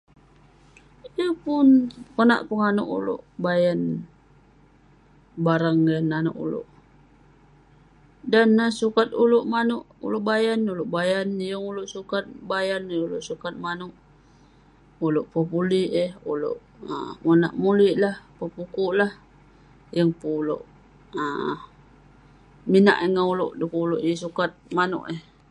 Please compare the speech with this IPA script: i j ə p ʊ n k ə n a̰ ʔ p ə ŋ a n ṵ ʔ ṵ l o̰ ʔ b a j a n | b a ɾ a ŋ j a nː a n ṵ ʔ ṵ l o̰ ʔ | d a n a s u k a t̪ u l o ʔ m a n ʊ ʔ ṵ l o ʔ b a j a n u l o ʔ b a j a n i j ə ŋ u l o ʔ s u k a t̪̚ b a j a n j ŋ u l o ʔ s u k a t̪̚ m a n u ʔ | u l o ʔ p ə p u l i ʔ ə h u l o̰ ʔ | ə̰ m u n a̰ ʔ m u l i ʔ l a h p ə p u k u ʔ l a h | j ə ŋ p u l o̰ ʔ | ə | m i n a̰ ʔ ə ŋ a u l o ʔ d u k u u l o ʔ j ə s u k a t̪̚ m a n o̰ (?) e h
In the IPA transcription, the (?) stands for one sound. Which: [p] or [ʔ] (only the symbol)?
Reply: ʔ